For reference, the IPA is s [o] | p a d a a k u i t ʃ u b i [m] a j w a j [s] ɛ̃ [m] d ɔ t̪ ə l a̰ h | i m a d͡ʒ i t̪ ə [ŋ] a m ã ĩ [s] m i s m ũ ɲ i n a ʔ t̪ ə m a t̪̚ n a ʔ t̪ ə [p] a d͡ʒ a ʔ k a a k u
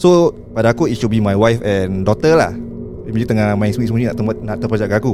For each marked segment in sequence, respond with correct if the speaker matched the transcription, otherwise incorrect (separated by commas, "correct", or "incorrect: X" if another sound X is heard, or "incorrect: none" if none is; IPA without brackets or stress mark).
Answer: correct, correct, incorrect: f, incorrect: n, correct, correct, correct